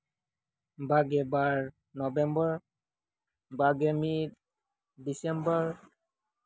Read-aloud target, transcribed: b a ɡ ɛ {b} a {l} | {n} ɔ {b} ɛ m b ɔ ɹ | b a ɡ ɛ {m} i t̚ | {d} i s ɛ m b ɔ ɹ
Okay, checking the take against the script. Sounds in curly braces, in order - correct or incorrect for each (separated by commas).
correct, incorrect, correct, correct, correct, correct